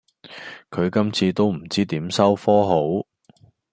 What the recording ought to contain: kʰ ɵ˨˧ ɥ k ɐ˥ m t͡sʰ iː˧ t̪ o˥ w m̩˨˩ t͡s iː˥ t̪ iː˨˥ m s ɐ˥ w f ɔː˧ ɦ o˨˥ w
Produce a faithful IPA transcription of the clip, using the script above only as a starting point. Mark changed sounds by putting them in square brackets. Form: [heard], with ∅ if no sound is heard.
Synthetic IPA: kʰ ɵ˨˧ ɥ k ɐ˥ m t͡sʰ iː˧ t̪ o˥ w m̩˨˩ t͡s iː˥ t̪ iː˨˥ m s ɐ˥ w f [ɔː˥] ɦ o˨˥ w